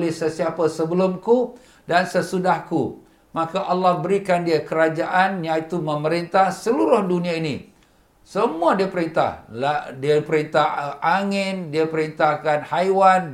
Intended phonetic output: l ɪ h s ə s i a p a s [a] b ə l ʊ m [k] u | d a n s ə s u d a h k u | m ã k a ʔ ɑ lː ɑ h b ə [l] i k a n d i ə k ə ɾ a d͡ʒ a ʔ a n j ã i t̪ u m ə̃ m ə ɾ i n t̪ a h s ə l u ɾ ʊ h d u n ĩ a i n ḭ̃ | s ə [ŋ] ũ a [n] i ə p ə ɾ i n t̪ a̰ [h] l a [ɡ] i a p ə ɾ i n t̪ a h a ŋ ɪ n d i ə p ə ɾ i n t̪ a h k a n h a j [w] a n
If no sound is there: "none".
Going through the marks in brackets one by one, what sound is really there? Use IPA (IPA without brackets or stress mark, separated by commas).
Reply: ə, k, ɾ, m, d, h, d, w